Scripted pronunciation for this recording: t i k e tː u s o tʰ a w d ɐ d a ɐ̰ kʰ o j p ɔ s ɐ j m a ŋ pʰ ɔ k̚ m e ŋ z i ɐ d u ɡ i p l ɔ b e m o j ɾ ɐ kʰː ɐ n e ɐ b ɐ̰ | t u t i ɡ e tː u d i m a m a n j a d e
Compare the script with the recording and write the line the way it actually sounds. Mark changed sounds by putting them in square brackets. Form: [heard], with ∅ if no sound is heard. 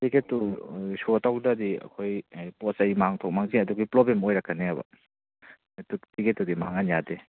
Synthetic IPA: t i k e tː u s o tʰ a w d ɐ d [i] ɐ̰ kʰ o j p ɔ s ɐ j m a ŋ [tʰ] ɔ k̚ m [a] ŋ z i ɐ d u ɡ i p l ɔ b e m o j ɾ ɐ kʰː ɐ n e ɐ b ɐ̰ | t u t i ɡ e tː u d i m a [ŋ] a n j a d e

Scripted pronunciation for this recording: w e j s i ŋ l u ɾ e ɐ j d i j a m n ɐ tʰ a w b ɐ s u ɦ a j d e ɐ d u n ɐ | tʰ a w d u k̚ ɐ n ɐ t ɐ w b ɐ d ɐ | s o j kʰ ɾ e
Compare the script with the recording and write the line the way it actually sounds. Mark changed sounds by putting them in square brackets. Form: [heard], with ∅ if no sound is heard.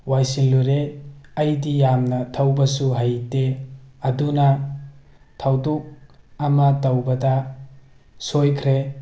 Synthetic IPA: w [a] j s i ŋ l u ɾ e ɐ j d i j a m n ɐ tʰ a w b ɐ s u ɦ a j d e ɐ d u n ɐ | tʰ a w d u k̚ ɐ [m] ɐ t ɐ w b ɐ d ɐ | s o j kʰ ɾ e

